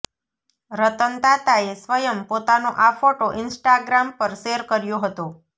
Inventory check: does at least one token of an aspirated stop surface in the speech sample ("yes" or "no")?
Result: no